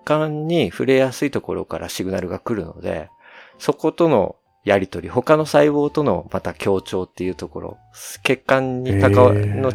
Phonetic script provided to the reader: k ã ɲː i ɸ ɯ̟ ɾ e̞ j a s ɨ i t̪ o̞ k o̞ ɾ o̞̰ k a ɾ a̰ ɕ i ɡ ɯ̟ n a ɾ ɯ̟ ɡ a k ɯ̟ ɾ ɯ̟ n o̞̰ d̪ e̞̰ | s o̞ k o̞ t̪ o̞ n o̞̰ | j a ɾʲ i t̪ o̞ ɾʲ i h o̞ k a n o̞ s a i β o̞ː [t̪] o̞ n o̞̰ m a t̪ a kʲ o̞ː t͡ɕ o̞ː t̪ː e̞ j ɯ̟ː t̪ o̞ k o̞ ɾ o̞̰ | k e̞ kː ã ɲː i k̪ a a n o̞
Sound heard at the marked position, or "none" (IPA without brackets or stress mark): t̪